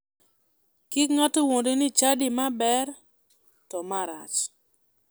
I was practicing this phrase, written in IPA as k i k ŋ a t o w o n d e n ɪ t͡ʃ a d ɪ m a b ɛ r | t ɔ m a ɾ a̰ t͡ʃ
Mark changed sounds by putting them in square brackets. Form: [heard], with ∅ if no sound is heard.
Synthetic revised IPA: k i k ŋ a t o w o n d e n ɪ t͡ʃ a d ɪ m a b ɛ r | t ɔ m a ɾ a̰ t͡ʃ